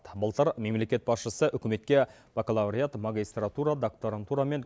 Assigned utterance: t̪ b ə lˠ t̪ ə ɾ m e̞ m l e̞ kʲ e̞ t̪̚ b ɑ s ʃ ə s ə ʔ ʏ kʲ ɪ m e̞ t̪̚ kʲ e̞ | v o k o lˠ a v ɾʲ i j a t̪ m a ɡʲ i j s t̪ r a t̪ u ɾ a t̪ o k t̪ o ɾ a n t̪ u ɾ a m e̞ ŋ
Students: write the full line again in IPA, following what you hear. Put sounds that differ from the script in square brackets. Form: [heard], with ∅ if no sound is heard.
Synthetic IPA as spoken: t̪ b ə lˠ t̪ ə ɾ m e̞ m l e̞ kʲ e̞ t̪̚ b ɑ s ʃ ə s ə ʔ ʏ kʲ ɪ m e̞ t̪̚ kʲ e̞ | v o k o lˠ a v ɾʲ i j a t̪ m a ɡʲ i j s t̪ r a t̪ u ɾ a [d̪] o k t̪ o ɾ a n t̪ u ɾ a m e̞ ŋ